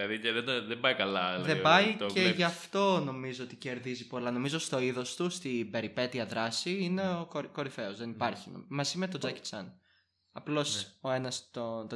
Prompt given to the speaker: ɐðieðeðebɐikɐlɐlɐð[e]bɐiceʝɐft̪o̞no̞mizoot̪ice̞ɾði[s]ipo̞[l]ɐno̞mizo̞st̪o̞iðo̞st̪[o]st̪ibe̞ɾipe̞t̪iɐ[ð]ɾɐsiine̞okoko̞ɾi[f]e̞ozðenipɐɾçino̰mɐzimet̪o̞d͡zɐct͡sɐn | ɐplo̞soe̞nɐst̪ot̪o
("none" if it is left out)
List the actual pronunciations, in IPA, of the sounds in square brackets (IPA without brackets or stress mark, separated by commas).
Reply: e, z, l, u, ð, f